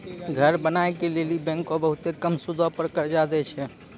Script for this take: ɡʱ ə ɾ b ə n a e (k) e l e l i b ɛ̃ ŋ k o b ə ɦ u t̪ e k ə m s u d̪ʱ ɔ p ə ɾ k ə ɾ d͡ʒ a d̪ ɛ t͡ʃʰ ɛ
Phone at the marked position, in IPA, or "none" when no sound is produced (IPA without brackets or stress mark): k